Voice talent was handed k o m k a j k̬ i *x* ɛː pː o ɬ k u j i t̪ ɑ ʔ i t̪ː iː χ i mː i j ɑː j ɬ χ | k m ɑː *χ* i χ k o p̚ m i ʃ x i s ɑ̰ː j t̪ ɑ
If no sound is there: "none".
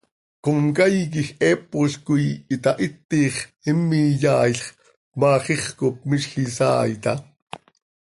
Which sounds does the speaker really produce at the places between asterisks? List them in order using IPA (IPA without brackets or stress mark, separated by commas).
x, χ